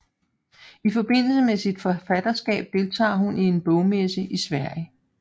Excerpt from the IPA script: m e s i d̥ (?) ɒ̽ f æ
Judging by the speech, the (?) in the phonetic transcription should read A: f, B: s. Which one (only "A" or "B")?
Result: A